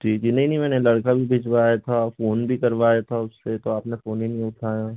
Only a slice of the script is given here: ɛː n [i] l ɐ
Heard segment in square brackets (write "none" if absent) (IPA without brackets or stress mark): e